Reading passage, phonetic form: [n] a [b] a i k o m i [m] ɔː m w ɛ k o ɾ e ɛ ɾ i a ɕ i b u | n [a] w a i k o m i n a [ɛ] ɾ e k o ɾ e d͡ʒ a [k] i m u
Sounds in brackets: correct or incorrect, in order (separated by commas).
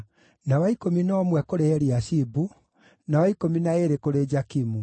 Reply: correct, incorrect, incorrect, correct, incorrect, correct